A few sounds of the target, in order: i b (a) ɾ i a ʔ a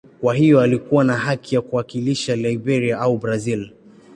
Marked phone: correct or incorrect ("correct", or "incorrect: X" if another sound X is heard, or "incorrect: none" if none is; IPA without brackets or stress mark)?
incorrect: ɛ